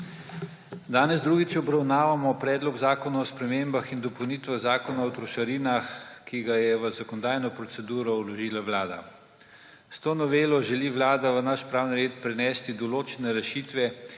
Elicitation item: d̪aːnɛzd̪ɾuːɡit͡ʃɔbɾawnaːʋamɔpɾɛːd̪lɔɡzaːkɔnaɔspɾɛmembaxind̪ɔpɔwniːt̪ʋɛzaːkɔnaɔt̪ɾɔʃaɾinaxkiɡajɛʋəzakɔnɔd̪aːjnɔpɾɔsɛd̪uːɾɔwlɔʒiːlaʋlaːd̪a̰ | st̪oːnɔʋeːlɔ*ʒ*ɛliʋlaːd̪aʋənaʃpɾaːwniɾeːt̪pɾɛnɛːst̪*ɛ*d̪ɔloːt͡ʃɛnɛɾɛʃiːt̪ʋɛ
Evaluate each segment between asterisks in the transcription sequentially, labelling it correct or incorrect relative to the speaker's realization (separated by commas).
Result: correct, incorrect